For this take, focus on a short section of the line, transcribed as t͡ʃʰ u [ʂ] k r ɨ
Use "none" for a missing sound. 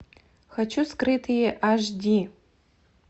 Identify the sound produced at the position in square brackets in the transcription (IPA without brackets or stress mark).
s